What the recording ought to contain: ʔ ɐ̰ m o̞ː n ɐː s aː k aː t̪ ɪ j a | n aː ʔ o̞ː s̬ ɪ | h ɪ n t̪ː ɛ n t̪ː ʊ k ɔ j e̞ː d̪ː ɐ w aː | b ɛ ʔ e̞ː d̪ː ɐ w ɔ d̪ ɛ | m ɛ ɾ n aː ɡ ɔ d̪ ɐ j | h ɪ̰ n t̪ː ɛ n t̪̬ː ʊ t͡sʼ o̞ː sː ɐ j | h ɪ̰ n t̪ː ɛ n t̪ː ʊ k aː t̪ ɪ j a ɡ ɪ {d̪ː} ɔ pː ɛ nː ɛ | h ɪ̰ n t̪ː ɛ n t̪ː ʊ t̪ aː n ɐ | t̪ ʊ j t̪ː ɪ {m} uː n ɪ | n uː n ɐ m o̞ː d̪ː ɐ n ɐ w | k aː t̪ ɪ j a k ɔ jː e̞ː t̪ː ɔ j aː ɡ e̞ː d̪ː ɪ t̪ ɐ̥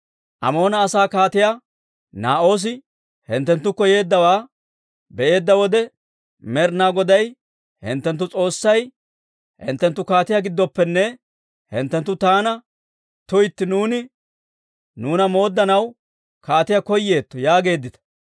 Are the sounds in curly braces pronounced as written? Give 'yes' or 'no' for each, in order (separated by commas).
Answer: yes, no